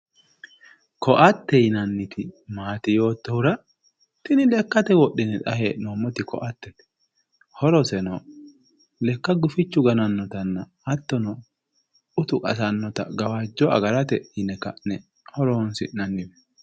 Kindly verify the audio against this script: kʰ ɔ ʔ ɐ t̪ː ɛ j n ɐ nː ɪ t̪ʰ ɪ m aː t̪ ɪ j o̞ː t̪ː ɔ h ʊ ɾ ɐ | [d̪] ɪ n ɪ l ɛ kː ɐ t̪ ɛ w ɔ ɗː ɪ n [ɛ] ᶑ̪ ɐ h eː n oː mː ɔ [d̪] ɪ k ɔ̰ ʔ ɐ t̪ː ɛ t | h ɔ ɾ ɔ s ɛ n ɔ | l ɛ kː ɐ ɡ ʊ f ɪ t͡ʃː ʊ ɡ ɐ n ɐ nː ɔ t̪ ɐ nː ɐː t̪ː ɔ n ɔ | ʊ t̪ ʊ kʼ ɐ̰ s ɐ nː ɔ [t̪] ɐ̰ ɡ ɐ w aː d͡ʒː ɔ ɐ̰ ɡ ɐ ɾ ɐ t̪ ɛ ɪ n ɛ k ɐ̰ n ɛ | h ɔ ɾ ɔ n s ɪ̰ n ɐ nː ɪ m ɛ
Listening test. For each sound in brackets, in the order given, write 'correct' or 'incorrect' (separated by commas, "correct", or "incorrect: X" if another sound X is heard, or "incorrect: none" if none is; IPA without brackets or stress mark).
incorrect: t̪, correct, incorrect: t̪, correct